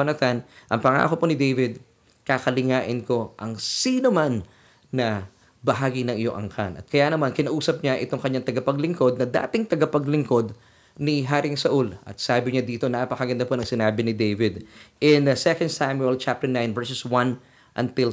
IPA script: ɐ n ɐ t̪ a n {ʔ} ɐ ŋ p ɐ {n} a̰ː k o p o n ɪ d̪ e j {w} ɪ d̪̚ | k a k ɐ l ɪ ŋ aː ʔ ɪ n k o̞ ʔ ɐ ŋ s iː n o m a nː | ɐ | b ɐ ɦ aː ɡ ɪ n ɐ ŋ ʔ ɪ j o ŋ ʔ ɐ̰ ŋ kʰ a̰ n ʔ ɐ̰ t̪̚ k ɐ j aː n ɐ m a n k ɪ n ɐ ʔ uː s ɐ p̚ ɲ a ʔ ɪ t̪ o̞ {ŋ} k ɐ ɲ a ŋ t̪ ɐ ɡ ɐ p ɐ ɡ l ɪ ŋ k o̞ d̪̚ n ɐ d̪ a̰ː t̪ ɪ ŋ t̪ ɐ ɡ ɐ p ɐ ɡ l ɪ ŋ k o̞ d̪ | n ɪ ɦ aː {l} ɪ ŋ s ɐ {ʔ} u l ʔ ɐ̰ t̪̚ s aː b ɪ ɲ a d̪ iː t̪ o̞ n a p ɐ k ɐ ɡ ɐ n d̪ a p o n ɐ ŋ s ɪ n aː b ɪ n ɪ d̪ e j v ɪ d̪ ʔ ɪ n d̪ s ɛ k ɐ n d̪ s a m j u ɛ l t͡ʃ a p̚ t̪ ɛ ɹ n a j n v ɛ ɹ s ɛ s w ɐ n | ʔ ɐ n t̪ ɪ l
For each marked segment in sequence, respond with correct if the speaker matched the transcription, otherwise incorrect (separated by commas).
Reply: correct, incorrect, incorrect, correct, incorrect, correct